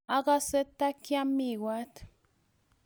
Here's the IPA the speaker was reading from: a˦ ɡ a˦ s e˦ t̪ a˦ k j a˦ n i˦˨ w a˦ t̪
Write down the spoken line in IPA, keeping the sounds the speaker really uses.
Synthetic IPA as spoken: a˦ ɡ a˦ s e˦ t̪ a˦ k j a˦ m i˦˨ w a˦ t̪